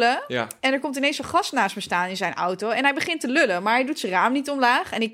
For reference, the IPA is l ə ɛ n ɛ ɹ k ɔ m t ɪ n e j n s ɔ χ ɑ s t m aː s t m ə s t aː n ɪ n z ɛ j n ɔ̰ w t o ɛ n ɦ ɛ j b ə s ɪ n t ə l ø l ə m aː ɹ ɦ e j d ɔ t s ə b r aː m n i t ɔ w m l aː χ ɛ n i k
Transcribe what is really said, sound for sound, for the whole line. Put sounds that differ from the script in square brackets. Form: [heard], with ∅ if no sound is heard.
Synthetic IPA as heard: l ə ɛ n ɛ ɹ k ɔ m t ɪ n e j n s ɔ χ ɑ s t [n] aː s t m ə s t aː n ɪ n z ɛ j n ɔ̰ w t o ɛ n ɦ ɛ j b ə [χ] ɪ n t ə l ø l ə m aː ɹ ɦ [ɛ] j d [u] t s ə [∅] r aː m n i t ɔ [∅] m l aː χ ɛ n [ɪ] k